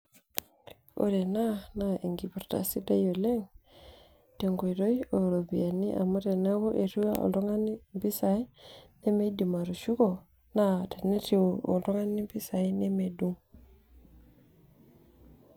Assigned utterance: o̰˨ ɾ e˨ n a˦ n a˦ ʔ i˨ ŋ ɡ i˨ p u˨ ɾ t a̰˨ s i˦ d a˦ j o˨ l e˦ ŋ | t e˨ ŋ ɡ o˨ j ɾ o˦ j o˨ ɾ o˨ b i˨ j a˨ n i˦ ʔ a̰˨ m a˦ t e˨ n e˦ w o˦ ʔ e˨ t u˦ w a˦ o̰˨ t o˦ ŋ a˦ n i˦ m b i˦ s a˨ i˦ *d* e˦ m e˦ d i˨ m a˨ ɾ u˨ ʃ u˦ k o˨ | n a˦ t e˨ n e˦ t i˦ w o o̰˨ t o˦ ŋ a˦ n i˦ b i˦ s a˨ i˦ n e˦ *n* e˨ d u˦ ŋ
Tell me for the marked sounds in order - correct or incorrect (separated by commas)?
incorrect, incorrect